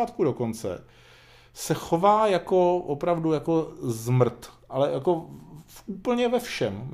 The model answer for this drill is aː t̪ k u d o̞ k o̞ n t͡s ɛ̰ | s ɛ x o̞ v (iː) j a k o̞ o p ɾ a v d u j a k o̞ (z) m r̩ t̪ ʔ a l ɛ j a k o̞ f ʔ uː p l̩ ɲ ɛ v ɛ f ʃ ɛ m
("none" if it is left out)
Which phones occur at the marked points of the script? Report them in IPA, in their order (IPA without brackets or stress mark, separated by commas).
aː, z